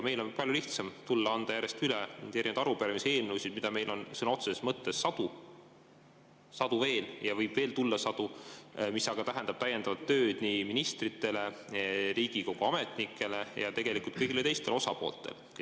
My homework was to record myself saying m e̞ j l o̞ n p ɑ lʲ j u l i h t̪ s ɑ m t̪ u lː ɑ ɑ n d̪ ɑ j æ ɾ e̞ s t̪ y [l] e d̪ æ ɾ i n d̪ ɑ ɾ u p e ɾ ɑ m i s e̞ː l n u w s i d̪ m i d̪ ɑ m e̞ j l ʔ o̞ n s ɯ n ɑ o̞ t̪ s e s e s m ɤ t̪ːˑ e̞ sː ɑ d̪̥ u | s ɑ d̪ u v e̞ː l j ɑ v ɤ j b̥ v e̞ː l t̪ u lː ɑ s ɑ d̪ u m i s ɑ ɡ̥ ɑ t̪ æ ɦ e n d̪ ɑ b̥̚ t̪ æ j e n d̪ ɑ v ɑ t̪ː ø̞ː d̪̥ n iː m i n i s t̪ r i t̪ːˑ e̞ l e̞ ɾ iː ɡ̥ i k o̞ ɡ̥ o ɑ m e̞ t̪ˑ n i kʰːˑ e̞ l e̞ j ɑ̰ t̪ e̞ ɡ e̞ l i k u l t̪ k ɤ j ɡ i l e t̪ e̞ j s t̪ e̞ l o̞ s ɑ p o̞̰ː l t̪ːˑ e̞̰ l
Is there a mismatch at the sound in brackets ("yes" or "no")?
no